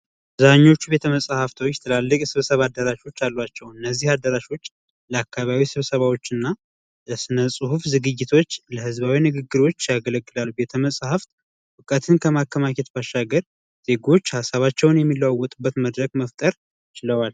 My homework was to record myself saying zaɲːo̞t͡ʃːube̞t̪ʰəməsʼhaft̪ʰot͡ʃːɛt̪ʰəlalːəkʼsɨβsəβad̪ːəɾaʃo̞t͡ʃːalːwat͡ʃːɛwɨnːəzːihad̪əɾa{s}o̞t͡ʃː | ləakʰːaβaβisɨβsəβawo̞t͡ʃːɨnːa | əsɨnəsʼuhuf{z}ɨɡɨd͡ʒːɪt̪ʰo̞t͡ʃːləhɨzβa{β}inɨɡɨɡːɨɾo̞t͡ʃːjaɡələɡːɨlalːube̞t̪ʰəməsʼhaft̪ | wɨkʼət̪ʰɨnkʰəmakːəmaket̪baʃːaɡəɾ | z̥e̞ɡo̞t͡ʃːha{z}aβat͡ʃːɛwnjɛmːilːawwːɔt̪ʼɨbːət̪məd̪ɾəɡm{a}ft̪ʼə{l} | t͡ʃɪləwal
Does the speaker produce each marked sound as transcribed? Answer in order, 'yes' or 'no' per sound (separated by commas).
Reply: no, yes, no, no, no, no